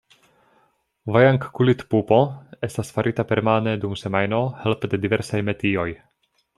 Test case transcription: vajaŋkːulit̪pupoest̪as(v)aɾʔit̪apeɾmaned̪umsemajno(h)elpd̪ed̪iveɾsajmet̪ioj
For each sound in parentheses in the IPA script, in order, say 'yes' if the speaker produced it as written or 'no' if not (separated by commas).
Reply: no, yes